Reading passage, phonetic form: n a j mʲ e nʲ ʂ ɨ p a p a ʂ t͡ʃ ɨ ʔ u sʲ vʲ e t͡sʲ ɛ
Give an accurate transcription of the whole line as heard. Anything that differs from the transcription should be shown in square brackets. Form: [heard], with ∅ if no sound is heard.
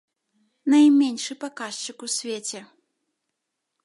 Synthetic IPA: n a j mʲ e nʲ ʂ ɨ p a [k] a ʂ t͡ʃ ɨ [k] u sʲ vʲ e t͡sʲ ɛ